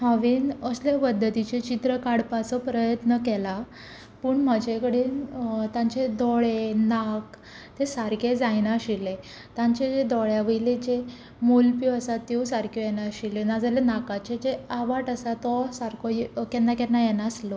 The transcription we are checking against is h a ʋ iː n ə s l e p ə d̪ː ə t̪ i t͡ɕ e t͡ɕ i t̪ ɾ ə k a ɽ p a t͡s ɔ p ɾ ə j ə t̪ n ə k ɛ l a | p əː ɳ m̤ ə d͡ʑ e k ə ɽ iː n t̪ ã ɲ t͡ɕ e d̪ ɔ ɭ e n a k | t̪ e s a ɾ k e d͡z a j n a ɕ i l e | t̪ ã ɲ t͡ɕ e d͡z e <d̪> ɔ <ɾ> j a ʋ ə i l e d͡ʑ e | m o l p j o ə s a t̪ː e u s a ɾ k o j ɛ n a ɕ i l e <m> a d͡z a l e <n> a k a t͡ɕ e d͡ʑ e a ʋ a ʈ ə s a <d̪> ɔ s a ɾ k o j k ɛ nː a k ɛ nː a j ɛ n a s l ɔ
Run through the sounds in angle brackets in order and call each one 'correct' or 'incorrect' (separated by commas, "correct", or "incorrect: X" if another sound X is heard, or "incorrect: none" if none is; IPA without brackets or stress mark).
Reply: correct, incorrect: ɭ, incorrect: n, correct, incorrect: t̪